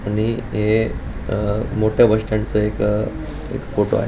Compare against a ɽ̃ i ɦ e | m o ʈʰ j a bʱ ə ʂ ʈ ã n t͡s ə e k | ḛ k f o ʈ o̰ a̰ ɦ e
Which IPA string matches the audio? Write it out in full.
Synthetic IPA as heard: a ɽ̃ i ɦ e | m o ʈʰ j a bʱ ə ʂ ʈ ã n t͡s ə e k | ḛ k f o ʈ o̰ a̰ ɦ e